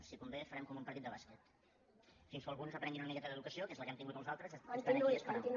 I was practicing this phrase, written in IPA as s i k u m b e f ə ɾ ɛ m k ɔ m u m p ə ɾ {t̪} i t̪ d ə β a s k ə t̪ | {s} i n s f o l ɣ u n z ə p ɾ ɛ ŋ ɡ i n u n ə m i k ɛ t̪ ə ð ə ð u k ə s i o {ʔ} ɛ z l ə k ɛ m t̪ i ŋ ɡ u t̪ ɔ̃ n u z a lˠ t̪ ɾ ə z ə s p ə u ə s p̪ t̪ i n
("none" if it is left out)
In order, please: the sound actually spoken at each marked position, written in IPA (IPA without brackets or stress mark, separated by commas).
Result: t̪, f, k